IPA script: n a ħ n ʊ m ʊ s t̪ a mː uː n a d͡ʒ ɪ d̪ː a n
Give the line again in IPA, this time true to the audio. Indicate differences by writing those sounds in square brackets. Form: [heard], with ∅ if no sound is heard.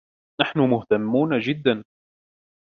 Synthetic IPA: n a ħ n ʊ m ʊ [h] t̪ a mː uː n a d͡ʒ ɪ d̪ː a n